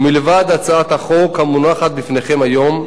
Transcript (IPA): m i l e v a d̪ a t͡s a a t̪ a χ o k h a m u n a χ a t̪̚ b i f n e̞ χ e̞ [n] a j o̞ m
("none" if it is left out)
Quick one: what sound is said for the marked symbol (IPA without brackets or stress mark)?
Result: m